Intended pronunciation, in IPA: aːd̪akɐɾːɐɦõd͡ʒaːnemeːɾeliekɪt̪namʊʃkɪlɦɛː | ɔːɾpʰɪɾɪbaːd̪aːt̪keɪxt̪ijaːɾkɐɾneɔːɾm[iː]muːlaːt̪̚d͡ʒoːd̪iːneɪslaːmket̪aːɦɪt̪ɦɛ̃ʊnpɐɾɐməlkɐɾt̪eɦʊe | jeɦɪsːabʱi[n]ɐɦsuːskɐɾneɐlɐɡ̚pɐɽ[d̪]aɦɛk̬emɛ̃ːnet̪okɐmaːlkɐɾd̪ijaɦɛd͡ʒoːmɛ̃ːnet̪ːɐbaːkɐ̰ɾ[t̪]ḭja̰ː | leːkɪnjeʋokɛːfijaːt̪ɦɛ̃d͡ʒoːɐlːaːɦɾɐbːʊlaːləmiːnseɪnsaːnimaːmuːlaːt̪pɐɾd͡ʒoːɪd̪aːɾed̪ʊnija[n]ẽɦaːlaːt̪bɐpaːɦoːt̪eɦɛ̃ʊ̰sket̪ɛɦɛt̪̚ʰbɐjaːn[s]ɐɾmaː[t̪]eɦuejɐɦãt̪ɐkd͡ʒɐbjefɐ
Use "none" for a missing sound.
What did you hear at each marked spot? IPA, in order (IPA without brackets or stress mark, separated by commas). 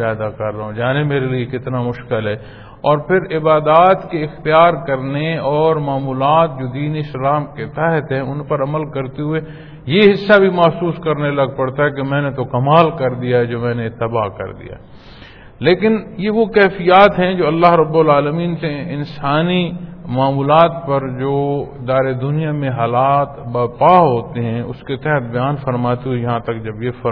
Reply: aː, m, t̪, d̪, m, f, t̪